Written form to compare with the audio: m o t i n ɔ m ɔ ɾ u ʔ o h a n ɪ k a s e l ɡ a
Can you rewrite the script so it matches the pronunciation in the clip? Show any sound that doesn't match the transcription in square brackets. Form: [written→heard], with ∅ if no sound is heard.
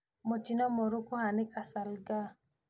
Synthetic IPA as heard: m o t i n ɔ m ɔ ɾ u [ʔ→k] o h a n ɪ k a s [e→a] l ɡ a